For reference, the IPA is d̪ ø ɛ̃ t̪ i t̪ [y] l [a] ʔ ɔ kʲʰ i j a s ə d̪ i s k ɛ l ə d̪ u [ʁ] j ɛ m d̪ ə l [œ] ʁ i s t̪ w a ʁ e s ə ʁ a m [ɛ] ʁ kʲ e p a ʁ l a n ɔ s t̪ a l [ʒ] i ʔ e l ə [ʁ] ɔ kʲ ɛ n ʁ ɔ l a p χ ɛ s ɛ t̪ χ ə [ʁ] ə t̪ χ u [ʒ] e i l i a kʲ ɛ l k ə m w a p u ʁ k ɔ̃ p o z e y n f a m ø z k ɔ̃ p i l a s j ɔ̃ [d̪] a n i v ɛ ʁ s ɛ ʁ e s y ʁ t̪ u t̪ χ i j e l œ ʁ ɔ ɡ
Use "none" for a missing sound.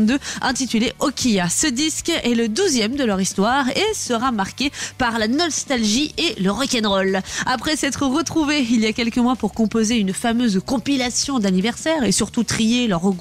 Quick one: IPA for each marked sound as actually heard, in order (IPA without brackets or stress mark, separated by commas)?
y, e, z, œ, a, ʒ, ʁ, ʁ, v, d̪